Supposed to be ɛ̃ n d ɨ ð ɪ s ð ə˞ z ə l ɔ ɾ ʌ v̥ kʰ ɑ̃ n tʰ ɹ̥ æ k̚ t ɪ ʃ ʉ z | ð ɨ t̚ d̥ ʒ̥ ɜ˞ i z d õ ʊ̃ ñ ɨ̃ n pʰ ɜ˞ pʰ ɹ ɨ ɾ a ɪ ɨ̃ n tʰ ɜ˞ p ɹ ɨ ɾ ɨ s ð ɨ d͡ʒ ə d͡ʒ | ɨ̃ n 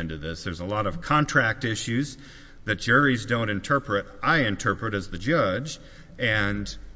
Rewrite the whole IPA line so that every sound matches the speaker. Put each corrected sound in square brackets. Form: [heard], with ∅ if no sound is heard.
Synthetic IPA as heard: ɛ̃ n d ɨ ð ɪ s ð ə˞ z ə l ɔ ɾ ʌ v̥ kʰ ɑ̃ n tʰ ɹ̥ æ k̚ t ɪ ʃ ʉ z | ð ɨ t̚ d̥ ʒ̥ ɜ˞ i z d õ ʊ̃ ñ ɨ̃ n [tʰ] ɜ˞ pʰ ɹ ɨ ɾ a ɪ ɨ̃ n tʰ ɜ˞ p ɹ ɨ ɾ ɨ [z] ð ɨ d͡ʒ [ʌ] d͡ʒ | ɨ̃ n